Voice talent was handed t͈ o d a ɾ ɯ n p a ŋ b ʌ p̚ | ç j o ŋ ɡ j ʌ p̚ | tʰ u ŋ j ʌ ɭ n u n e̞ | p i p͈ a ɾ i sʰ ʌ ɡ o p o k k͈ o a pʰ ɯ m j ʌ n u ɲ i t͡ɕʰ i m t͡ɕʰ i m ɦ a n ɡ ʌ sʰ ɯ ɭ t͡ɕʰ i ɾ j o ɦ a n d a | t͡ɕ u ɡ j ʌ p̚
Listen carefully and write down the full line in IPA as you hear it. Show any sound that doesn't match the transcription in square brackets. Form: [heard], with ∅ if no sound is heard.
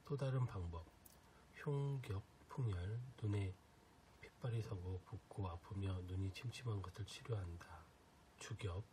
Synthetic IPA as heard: t͈ o d a ɾ ɯ n p a ŋ b ʌ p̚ | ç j o ŋ ɡ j ʌ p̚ | [pʰ] u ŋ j ʌ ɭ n u n e̞ | [pʰ] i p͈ a ɾ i sʰ ʌ ɡ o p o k k͈ o a pʰ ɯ m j ʌ n u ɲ i t͡ɕʰ i m t͡ɕʰ i m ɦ a n ɡ ʌ sʰ ɯ ɭ t͡ɕʰ i ɾ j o ɦ a n d a | t͡ɕ u ɡ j ʌ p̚

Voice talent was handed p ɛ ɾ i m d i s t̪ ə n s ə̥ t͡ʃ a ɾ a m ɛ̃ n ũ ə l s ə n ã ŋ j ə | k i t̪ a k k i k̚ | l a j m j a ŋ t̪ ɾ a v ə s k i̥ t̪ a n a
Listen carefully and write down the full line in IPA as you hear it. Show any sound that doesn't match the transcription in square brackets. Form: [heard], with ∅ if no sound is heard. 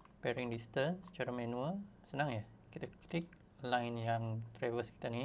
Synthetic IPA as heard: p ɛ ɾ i [ŋ] d i s t̪ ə n s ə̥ t͡ʃ a ɾ a m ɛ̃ n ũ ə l s ə n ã ŋ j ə | k i t̪ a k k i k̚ | l a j [n] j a ŋ t̪ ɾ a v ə s k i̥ t̪ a n [i]

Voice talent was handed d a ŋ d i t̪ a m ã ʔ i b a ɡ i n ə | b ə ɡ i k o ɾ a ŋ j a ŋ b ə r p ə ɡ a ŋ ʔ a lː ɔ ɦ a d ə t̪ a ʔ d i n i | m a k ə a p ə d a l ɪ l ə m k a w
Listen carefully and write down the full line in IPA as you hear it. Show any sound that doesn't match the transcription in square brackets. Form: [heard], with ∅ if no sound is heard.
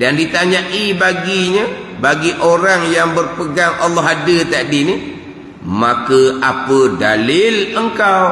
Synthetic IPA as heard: d a [n] d i t̪ a [ɲ] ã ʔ i b a ɡ i [ɲ] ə | b [a] ɡ i [ʔ] o ɾ a ŋ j a ŋ b ə r p ə ɡ a ŋ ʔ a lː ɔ ɦ a d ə t̪ a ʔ d i n i | m a k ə a p ə d a l ɪ l ə [ŋ] k a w

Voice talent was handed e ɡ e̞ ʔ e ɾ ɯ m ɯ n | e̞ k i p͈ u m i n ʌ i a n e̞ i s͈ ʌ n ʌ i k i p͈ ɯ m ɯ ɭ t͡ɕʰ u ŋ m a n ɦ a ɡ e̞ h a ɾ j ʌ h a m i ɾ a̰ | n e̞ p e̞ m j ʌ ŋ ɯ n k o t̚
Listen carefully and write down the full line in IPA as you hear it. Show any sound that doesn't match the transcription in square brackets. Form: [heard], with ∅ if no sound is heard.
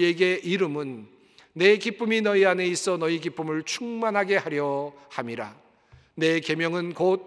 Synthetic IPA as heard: e ɡ e̞ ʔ [i] ɾ ɯ m ɯ [nː] | e̞ k i p͈ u m i n ʌ i a n e̞ i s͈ ʌ n ʌ i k i p͈ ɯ m ɯ ɭ t͡ɕʰ u ŋ m a n ɦ a ɡ e̞ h a ɾ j ʌ h a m i ɾ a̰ | n e̞ [k] e̞ m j ʌ ŋ ɯ n k o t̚

